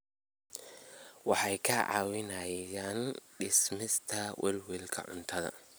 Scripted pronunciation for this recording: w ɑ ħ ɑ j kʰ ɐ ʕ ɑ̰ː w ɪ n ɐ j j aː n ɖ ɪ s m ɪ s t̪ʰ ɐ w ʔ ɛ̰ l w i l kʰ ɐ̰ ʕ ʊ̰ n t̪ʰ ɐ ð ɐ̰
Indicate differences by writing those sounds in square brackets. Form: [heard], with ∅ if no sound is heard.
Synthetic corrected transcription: w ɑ ħ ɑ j kʰ ɐ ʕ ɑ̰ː w ɪ n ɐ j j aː n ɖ ɪ s m ɪ s t̪ʰ ɐ w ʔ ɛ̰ l w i l kʰ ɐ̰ ʕ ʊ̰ n t̪ʰ ɐ ð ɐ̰